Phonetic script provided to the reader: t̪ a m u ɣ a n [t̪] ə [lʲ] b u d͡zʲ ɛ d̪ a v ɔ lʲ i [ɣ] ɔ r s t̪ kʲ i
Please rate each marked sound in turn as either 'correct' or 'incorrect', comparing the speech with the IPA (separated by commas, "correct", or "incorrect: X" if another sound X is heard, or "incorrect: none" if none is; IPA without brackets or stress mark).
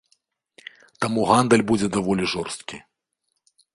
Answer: incorrect: d̪, correct, incorrect: ʐ